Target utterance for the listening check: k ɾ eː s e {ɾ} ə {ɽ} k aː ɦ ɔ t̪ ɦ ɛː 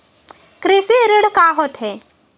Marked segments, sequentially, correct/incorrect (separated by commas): correct, correct